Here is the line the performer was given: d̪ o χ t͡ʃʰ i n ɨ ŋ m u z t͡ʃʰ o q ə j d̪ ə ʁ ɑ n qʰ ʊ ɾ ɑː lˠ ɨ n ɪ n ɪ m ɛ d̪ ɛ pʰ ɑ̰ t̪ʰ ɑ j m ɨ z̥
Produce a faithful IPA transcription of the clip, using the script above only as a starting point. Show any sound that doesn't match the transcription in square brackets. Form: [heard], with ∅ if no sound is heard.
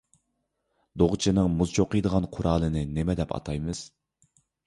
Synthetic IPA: d̪ o [ʁ] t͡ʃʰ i n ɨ ŋ m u z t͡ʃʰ o q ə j d̪ ə ʁ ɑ n qʰ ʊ ɾ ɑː lˠ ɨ n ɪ n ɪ m ɛ d̪ ɛ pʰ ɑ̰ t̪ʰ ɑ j m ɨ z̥